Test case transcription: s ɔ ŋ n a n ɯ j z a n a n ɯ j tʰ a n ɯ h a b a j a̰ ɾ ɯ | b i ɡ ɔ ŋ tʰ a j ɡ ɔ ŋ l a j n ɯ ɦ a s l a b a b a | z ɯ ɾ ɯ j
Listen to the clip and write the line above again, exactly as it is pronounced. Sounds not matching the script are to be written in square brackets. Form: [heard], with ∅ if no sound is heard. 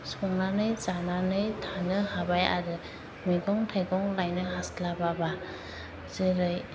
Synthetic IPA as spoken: s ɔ ŋ n a n ɯ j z a n a n ɯ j tʰ a n ɯ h a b a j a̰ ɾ ɯ | [m] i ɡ ɔ ŋ tʰ a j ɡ ɔ ŋ l a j n ɯ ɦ a s l a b a b a | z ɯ ɾ ɯ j